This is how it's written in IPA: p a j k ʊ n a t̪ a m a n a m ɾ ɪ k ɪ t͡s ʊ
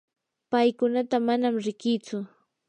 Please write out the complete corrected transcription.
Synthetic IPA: p a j k ʊ n a t̪ a m a n a m ɾ ɪ k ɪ t͡s ʊ